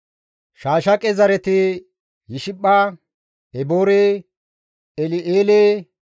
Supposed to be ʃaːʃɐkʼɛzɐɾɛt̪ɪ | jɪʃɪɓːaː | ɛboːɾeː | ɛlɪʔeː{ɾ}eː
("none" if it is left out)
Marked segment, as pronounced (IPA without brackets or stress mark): l